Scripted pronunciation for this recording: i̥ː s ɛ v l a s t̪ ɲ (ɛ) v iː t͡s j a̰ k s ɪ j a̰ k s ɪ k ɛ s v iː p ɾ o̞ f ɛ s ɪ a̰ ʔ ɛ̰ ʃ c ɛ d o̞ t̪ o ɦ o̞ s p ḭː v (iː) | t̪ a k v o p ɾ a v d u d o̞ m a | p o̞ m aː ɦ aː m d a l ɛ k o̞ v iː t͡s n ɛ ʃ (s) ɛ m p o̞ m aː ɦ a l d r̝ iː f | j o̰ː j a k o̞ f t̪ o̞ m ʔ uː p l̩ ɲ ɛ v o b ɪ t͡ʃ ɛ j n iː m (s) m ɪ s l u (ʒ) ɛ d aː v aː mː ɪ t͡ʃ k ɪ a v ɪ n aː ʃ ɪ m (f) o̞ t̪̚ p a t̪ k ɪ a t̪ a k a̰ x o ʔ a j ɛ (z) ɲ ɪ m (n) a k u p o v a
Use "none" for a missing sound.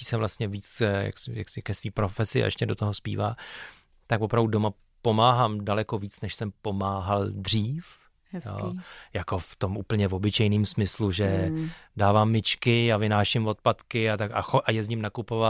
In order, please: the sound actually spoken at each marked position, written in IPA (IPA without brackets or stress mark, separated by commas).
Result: ɛ, aː, s, s, ʒ, v, z, n